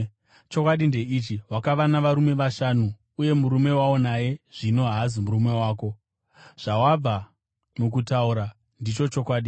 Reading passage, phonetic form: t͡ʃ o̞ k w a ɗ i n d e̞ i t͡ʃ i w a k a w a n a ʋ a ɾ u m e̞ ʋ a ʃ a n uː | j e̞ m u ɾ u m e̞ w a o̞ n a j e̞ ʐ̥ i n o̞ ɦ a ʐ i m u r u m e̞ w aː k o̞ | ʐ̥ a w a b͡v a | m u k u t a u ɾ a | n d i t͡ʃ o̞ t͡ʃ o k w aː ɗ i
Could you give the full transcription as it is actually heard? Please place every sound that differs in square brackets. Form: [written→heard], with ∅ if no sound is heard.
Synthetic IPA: t͡ʃ o̞ k w a ɗ i n d e̞ i t͡ʃ i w a k a [w→ʋ] a n a ʋ a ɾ u m e̞ ʋ a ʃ a n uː | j e̞ m u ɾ u m e̞ w a o̞ n a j e̞ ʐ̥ i n o̞ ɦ a [ʐ→z] i m u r u m e̞ w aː k o̞ | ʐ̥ a w a b͡v a | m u k u t a u ɾ a | n d i t͡ʃ o̞ t͡ʃ o k w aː ɗ i

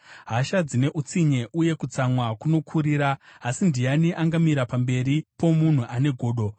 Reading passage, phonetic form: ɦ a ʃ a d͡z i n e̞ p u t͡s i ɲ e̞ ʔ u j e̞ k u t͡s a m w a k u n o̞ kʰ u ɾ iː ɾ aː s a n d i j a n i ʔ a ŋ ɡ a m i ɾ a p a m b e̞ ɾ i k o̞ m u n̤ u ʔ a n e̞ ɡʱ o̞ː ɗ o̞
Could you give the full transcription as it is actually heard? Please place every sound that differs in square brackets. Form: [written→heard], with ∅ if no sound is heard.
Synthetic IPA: ɦ a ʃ a d͡z i n e̞ [p→ʔ] u t͡s i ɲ e̞ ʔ u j e̞ k u t͡s a m w a k u n o̞ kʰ u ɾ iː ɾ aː s [a→i] n d i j a n i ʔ a ŋ ɡ a m i ɾ a p a m b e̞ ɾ i [k→p] o̞ m u n̤ u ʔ a n e̞ ɡʱ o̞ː ɗ o̞

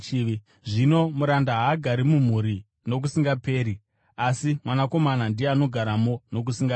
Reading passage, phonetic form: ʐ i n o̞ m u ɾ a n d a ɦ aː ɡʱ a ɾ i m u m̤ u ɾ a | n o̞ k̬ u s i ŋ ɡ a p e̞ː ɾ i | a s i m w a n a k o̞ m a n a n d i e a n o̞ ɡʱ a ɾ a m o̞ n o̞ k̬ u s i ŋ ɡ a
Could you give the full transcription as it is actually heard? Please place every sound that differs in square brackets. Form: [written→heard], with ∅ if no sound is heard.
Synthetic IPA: ʐ i n o̞ m u ɾ a n d a ɦ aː ɡʱ a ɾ i m u m̤ u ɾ [a→i] | n o̞ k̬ u s i ŋ ɡ a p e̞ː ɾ i | a s i m w a n a k o̞ m a n a n d i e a n o̞ ɡʱ a ɾ a m o̞ n o̞ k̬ u s i ŋ ɡ a

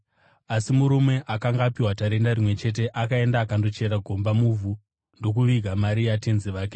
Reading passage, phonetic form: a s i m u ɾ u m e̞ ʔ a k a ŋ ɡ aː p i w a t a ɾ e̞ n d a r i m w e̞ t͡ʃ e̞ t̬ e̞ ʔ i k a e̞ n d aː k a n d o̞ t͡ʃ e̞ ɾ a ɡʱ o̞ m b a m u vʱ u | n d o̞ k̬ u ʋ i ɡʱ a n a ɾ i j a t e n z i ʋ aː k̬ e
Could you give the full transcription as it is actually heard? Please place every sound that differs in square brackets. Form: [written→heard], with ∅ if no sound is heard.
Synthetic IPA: a s i m u ɾ u m e̞ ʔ a k a ŋ ɡ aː p i w a t a ɾ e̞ n d a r i m w e̞ t͡ʃ e̞ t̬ e̞ ʔ [i→a] k a e̞ n d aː k a n d o̞ t͡ʃ e̞ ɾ a ɡʱ o̞ m b a m u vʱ u | n d o̞ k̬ u ʋ i ɡʱ a [n→m] a ɾ i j a t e n z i ʋ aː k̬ e

